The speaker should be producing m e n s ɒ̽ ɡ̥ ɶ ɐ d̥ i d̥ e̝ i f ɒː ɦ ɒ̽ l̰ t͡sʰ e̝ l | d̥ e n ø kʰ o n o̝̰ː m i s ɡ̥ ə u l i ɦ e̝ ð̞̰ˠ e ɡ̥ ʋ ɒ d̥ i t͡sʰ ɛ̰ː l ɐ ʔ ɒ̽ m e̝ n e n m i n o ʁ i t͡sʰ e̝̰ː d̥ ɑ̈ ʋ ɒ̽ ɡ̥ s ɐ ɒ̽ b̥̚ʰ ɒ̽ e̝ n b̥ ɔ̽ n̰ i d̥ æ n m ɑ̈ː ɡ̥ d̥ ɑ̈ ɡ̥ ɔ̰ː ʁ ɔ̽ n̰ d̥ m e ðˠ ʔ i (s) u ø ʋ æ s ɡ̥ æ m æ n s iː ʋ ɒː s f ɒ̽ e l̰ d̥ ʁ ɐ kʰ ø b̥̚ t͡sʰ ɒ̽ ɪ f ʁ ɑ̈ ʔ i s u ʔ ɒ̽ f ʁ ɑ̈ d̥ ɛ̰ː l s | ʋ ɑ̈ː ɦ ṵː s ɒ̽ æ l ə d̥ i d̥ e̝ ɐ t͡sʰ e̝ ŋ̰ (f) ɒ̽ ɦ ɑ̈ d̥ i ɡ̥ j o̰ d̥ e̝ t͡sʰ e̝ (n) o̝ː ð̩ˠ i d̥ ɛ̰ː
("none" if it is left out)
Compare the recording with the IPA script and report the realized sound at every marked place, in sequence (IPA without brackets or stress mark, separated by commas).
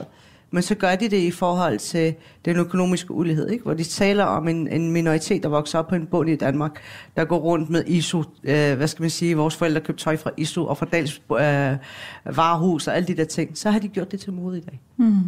s, s, m